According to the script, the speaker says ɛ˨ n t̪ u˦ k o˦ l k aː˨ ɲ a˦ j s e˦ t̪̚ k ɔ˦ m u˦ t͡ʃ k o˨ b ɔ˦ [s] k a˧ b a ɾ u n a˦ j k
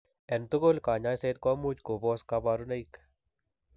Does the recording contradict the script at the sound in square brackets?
no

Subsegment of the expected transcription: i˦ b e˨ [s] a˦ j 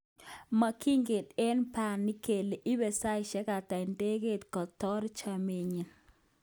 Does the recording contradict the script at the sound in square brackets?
no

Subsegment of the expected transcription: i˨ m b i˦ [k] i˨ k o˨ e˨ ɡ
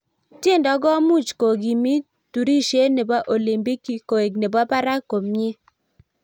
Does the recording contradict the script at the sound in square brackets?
no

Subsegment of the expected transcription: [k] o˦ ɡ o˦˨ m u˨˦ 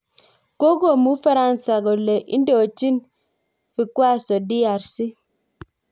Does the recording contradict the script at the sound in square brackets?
no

